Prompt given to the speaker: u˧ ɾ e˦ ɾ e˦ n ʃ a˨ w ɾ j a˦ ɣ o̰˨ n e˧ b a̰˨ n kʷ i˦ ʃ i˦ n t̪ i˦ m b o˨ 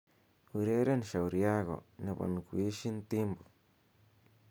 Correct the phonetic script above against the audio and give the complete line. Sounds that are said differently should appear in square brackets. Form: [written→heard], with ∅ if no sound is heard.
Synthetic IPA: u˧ ɾ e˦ ɾ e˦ n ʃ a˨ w ɾ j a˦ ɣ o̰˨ n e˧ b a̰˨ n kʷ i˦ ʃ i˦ n t̪ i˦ m b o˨

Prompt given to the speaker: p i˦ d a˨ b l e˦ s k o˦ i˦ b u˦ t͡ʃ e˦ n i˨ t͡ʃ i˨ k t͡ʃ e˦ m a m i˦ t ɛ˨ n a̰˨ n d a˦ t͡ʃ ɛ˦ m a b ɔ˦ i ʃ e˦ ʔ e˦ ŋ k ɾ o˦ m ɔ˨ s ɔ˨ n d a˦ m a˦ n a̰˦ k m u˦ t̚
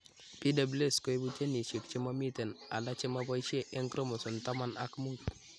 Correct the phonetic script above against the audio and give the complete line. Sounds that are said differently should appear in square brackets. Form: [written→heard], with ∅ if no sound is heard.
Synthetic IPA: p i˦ d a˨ b l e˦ s k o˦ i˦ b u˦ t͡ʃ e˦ n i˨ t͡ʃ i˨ k t͡ʃ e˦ m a m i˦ t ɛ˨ n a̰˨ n d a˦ t͡ʃ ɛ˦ m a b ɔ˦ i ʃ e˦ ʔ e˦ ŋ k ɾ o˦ m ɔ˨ s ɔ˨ n [d→t] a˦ m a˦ n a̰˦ k m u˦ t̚

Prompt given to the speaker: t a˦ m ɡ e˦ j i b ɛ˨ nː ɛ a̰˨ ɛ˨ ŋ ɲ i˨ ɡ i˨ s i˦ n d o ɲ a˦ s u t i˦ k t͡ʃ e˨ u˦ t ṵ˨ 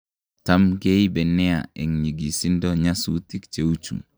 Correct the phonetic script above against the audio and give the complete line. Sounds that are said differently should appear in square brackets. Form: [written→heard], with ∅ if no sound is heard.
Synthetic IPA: t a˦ m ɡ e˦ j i b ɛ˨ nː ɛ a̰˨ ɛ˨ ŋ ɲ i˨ ɡ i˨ s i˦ n d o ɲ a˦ s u t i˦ k t͡ʃ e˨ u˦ [t→t͡ʃ] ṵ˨

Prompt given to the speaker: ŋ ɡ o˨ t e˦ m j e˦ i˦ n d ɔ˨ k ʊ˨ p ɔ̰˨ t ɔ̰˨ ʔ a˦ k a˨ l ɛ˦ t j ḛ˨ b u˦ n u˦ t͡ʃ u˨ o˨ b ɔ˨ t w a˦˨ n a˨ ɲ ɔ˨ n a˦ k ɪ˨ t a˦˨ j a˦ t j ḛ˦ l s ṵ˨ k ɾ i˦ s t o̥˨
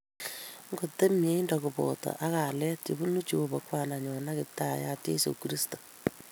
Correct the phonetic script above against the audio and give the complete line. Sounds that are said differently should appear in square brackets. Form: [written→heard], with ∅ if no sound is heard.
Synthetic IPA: ŋ ɡ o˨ t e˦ m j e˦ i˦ n d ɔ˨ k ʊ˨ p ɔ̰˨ t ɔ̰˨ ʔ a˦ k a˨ l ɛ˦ t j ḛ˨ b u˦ n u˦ t͡ʃ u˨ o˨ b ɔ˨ [t→k] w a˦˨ n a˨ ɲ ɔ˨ n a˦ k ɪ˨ t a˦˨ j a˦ t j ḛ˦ [l→∅] s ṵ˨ k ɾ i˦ s t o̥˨

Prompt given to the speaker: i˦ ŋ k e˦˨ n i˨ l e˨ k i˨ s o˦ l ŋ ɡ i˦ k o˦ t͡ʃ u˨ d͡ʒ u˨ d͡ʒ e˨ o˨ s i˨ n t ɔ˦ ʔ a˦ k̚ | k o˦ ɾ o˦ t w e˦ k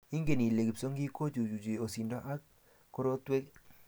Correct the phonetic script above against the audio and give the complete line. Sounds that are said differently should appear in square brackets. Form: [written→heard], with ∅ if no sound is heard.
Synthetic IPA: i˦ ŋ [k→ɡ] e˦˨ n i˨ l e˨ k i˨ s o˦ [l→∅] ŋ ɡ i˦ k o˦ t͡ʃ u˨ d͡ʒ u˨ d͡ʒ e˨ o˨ s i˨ n [t→d] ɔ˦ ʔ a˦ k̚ | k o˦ ɾ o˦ t w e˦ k

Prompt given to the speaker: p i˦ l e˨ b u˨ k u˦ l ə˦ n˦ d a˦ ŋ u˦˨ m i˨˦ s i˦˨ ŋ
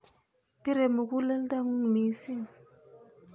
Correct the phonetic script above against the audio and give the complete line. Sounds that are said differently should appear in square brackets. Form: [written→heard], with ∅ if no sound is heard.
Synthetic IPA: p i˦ [l→ɾ] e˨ [b→m] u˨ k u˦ l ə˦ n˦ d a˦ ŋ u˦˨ m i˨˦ s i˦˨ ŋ

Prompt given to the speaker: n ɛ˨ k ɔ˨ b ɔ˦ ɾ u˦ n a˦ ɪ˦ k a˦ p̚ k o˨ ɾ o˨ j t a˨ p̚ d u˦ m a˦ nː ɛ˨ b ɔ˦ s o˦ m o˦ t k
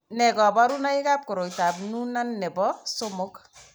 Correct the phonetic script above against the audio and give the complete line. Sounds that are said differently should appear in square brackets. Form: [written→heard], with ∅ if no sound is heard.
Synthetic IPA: n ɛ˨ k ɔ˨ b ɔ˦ ɾ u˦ n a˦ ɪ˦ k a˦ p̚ k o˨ ɾ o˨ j t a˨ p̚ [d→n] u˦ [m→n] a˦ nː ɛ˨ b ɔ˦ s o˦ m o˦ [t→∅] k

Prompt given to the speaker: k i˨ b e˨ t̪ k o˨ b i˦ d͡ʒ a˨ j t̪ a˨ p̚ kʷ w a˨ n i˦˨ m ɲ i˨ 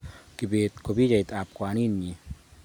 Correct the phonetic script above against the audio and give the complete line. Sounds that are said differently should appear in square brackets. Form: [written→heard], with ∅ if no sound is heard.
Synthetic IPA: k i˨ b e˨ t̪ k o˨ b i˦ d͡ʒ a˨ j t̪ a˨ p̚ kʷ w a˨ n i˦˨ [m→n] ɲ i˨

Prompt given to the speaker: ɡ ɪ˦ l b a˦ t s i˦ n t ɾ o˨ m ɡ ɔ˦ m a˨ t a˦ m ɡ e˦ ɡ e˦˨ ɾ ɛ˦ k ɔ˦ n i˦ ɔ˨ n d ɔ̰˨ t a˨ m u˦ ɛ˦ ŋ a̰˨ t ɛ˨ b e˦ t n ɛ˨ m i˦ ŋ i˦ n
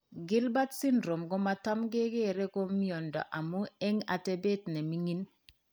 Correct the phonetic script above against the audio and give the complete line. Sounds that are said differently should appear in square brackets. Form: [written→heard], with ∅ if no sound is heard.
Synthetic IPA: ɡ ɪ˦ l b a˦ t s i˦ n [t→d] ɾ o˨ m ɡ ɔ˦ m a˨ t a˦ m ɡ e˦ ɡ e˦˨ ɾ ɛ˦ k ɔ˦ [n→m] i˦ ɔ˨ n d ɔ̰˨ [t→ʔ] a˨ m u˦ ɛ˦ ŋ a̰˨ t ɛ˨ b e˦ t n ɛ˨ m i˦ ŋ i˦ n

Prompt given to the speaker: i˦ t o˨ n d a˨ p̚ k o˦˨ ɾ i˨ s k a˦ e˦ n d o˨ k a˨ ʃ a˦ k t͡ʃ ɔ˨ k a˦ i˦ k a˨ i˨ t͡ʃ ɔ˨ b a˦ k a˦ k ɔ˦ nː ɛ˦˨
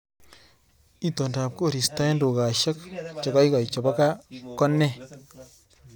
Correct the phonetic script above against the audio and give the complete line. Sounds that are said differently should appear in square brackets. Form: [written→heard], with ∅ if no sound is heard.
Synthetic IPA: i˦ t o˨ n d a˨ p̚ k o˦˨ ɾ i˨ s [k→t] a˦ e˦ n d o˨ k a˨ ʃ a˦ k t͡ʃ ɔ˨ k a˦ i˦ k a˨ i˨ t͡ʃ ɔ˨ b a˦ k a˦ k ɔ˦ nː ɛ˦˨

